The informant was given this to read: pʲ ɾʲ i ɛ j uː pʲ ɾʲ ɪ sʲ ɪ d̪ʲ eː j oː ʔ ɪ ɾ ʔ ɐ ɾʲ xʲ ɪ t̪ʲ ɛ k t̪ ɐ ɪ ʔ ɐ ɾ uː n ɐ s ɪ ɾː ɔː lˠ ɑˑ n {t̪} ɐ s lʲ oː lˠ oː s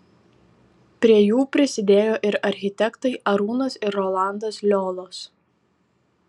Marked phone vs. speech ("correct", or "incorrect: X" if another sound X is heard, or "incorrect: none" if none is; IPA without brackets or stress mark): incorrect: d̪